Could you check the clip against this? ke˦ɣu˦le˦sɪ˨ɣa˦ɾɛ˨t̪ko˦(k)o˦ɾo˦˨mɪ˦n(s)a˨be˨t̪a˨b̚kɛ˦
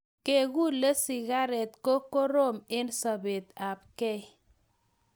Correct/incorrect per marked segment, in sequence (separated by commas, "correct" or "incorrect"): correct, correct